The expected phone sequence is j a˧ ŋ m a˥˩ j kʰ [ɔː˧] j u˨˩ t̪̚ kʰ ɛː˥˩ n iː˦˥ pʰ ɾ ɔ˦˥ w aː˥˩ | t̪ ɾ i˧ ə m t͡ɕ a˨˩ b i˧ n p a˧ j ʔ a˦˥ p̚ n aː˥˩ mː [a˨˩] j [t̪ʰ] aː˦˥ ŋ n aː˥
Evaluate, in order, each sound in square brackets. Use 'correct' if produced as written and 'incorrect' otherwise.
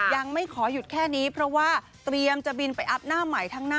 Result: incorrect: ɔː˩˦, correct, correct

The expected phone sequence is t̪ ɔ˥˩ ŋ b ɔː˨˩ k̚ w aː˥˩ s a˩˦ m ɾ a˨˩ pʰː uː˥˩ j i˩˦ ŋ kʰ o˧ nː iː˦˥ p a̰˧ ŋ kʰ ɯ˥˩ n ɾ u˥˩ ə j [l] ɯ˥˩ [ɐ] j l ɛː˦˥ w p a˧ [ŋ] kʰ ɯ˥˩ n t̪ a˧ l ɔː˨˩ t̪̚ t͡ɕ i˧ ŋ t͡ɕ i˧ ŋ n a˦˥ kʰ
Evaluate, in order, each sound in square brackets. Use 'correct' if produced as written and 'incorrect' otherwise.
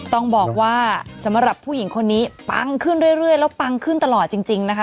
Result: incorrect: ɾ, incorrect: ə, correct

